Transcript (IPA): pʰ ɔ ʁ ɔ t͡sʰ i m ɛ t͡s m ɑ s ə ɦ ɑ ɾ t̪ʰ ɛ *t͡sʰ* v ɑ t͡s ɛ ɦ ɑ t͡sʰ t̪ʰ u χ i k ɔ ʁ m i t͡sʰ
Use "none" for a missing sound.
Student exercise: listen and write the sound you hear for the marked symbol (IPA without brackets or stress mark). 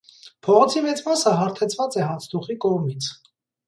t͡sʰ